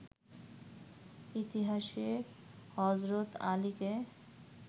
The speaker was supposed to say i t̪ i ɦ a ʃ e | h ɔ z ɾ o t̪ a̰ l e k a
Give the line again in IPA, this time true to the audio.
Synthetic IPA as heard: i t̪ i ɦ a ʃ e | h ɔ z ɾ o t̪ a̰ l i k e